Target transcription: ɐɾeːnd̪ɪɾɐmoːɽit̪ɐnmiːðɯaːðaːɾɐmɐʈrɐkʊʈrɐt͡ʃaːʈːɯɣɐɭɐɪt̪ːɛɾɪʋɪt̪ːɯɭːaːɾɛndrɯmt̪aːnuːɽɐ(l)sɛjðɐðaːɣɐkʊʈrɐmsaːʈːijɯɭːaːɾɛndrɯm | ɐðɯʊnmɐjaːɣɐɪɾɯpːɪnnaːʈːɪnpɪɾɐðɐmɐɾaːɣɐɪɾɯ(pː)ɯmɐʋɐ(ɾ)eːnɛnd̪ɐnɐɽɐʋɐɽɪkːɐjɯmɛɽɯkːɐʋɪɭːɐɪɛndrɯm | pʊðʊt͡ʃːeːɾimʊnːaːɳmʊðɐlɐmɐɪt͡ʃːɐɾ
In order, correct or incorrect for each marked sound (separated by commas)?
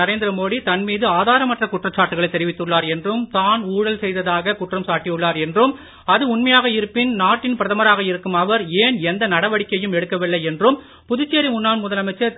correct, incorrect, correct